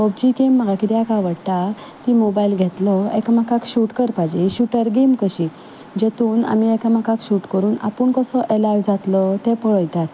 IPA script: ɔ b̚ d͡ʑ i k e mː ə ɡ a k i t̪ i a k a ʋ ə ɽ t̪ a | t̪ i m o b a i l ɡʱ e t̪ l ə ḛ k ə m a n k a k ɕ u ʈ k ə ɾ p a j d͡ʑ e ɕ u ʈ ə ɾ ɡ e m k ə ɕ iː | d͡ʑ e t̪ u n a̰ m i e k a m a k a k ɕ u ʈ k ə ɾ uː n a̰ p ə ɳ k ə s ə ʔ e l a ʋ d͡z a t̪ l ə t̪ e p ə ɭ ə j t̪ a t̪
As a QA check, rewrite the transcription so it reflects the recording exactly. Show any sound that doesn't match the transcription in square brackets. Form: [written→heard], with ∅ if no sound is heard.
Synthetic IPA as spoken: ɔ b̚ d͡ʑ i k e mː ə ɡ a k i t̪ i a k a ʋ ə ɽ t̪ a | t̪ i m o b a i l ɡʱ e t̪ l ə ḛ k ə m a [n→∅] k a k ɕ u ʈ k ə ɾ p a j d͡ʑ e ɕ u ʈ ə ɾ ɡ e m k ə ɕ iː | d͡ʑ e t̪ [u→uː] n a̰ m i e k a m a k a k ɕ u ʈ k ə ɾ uː n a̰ p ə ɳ k ə s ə ʔ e l a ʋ d͡z a t̪ l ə t̪ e p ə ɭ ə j t̪ a t̪